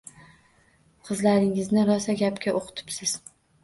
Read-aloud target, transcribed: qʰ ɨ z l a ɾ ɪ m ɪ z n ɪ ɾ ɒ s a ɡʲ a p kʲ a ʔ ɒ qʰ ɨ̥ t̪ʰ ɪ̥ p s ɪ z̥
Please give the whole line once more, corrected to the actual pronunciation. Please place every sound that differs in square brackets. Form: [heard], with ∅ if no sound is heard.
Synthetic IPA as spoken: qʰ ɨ z l a ɾ ɪ [ŋ] ɪ z n ɪ ɾ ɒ s a ɡʲ a p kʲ a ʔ [o] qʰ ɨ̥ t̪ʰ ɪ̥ p s ɪ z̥